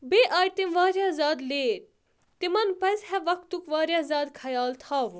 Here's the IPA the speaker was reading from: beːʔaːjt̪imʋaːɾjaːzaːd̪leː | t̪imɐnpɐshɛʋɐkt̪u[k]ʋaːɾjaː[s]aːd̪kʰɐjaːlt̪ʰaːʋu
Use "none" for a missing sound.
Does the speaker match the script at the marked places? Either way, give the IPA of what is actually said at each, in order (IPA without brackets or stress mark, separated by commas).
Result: k, z